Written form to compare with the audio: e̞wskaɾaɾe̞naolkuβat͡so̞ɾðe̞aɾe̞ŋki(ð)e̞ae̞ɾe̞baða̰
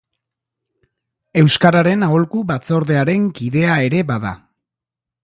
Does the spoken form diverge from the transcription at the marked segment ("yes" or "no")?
no